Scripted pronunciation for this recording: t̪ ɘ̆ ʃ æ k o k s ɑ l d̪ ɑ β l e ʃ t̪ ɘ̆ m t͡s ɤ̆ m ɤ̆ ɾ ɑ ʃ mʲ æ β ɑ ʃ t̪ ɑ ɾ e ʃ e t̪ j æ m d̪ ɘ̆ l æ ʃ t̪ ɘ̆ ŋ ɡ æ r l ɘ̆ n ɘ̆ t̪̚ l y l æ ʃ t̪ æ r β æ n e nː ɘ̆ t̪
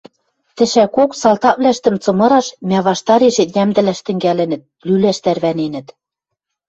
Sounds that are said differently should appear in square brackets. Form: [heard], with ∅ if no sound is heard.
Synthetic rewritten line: t̪ ɘ̆ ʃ æ k o k s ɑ l [t̪] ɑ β l [æ] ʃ t̪ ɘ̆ m t͡s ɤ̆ m ɤ̆ ɾ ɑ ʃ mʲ æ β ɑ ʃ t̪ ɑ ɾ e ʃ e t̪ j æ m d̪ ɘ̆ l æ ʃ t̪ ɘ̆ ŋ ɡ æ [∅] l ɘ̆ n ɘ̆ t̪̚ l y l æ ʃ t̪ æ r β æ n e [n] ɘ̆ t̪